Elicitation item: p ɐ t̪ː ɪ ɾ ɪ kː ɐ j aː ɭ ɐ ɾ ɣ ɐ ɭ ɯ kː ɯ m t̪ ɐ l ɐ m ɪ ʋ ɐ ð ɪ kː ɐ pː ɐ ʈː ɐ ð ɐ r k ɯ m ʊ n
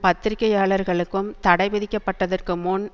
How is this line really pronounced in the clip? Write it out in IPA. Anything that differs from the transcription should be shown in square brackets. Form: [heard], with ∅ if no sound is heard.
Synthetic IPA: p ɐ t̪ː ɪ ɾ ɪ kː ɐ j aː ɭ ɐ ɾ ɣ ɐ ɭ ɯ kː ɯ m t̪ ɐ [ɽ] ɐ [∅] ɪ ʋ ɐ ð ɪ kː ɐ pː ɐ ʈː ɐ ð ɐ r k ɯ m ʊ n